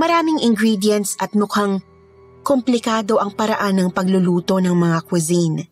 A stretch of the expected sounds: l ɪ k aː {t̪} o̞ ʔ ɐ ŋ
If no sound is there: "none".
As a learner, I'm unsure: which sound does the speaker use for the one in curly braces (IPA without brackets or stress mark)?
d̪